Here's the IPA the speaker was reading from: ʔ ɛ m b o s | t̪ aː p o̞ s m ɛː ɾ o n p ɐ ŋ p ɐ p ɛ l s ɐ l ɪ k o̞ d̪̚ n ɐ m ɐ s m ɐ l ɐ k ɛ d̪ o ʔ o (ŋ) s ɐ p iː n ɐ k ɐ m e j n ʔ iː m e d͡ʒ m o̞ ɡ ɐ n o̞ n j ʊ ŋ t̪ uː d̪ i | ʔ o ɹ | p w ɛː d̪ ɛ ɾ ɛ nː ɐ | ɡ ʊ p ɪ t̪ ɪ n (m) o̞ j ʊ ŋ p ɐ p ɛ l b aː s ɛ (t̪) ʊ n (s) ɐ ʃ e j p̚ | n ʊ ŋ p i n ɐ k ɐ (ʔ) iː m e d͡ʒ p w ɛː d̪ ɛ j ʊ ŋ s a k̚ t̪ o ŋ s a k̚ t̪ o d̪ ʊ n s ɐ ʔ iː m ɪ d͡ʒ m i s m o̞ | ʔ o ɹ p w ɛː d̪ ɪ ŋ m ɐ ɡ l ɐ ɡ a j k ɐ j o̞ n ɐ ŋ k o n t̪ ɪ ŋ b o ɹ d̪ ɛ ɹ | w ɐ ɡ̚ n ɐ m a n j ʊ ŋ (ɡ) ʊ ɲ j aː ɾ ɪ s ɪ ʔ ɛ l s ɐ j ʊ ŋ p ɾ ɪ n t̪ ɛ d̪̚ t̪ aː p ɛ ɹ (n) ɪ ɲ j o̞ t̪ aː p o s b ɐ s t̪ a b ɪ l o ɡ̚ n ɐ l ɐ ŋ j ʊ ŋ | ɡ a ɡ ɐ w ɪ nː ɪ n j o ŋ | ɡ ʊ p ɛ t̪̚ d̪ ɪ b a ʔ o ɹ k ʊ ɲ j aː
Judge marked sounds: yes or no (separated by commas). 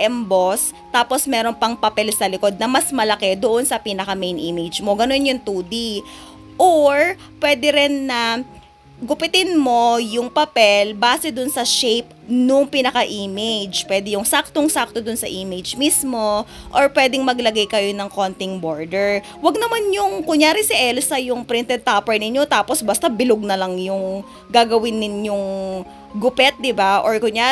no, yes, no, yes, yes, no, yes